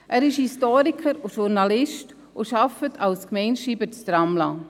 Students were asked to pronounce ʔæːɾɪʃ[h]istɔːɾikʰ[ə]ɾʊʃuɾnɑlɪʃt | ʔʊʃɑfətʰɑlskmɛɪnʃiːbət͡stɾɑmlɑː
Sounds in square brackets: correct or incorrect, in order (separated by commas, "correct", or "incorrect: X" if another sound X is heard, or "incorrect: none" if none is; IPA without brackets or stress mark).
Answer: correct, correct